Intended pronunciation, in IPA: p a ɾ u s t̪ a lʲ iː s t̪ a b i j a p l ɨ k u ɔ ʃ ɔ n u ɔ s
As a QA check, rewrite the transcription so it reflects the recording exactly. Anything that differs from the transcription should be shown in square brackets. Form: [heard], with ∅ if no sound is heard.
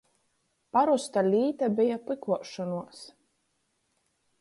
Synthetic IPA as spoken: p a ɾ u s t̪ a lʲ iː [∅] t̪ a b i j a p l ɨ k u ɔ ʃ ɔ n u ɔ s